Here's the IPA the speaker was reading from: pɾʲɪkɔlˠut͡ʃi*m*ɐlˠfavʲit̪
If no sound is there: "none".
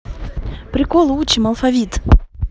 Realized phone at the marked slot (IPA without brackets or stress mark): m